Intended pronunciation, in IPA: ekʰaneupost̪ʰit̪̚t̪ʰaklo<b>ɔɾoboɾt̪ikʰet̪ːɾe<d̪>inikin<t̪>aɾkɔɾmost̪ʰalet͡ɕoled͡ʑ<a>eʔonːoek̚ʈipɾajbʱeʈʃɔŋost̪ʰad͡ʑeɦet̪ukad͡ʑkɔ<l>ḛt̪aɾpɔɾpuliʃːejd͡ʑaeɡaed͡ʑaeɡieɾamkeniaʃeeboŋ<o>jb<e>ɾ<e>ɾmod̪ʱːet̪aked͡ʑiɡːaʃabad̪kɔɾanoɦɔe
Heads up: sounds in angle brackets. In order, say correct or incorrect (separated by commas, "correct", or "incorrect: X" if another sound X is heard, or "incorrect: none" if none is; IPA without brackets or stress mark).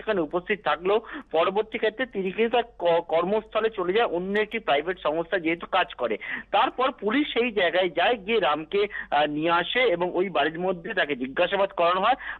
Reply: incorrect: p, incorrect: t̪, correct, correct, incorrect: ɾ, correct, incorrect: a, incorrect: i